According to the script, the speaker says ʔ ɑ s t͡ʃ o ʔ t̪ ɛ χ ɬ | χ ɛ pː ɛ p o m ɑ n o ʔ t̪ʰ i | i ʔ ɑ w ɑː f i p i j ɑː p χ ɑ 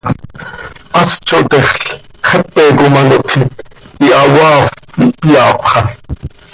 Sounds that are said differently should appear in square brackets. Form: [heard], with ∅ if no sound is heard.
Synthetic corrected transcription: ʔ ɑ s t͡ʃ o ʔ t̪ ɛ χ ɬ | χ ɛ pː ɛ [k] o m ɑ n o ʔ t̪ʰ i | i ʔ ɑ w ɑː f i p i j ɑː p χ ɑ